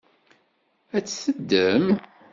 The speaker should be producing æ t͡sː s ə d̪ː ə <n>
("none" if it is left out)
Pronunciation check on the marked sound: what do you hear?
m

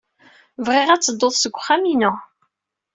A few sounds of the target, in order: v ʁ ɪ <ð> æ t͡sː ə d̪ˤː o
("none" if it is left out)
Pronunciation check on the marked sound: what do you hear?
ʁ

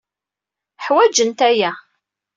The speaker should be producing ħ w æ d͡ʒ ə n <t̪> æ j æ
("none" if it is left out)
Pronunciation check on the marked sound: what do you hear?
t̪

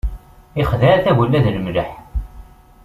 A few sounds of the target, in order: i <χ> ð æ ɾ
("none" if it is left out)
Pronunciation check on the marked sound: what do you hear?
χ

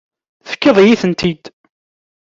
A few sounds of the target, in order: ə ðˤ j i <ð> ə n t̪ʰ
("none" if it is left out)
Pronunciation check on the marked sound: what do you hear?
θ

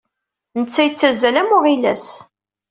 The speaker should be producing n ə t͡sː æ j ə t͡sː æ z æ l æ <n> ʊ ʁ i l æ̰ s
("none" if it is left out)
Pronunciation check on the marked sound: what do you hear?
m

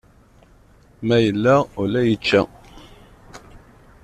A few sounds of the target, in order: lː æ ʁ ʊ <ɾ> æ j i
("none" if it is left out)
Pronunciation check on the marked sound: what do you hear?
l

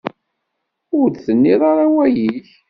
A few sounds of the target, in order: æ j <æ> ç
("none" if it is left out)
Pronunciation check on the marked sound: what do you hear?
i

